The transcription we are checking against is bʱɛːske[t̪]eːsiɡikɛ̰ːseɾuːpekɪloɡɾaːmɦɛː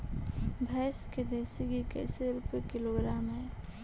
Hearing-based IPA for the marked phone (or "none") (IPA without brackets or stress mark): d̪